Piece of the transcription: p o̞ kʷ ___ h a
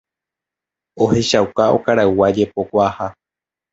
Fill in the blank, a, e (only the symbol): a